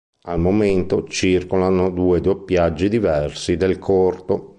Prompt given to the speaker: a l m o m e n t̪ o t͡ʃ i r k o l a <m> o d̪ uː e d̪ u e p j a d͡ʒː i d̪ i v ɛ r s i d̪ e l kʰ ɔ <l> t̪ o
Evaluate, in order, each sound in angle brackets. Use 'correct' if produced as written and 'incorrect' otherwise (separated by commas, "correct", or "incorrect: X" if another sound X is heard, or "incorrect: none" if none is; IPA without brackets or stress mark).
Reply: incorrect: n, incorrect: r